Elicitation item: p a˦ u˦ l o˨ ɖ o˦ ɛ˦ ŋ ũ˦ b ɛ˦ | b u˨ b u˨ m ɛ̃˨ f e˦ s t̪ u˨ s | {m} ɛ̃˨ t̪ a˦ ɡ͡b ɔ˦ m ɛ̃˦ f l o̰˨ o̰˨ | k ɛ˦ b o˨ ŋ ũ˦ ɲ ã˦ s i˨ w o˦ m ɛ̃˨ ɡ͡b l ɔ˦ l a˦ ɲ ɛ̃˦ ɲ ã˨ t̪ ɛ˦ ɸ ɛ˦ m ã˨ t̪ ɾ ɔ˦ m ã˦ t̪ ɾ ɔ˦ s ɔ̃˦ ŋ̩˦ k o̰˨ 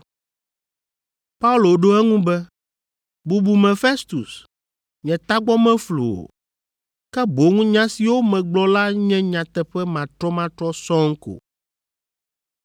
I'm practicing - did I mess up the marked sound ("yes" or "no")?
yes